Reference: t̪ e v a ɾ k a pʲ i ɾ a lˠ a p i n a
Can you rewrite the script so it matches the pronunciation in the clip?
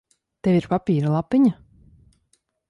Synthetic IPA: t̪ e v i ɾ p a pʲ iː ɾ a lˠ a p i ɲ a